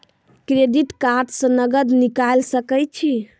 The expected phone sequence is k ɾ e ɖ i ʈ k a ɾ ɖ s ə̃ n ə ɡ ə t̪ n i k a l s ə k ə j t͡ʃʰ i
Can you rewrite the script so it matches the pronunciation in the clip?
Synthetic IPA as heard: k ɾ e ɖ i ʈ k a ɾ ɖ s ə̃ n ə ɡ ə d̪ n i k a l s ə k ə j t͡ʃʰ i